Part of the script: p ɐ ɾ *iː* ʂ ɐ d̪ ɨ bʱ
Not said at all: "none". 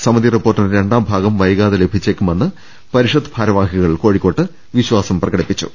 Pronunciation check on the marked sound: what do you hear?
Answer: i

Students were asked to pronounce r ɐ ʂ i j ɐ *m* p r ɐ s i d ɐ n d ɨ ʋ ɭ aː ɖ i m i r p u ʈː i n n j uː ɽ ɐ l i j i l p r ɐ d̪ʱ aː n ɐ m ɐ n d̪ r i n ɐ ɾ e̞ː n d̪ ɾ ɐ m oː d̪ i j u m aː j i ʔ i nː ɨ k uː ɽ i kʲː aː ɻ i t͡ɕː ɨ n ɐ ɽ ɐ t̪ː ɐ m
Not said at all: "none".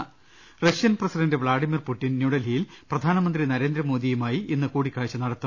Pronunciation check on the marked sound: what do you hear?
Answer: n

